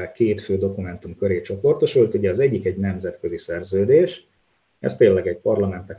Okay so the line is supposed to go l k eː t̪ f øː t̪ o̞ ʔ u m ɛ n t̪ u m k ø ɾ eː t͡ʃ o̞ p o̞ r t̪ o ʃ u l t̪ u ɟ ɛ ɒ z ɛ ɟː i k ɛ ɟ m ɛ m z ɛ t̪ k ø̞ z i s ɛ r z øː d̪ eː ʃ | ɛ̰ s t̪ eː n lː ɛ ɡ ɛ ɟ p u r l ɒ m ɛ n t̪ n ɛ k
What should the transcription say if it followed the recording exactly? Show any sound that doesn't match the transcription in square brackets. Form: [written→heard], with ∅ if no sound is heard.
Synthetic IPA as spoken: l k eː t̪ f øː [t̪→d̪] o̞ [ʔ→k] u m ɛ n t̪ u m k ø ɾ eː t͡ʃ o̞ p o̞ r t̪ o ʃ u l t̪ u ɟ ɛ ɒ z ɛ ɟː i k ɛ ɟ [m→n] ɛ m z ɛ t̪ k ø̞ z i s ɛ r z øː d̪ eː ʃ | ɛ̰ s t̪ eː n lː ɛ ɡ ɛ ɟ p [u→ɒ] r l ɒ m ɛ n t̪ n ɛ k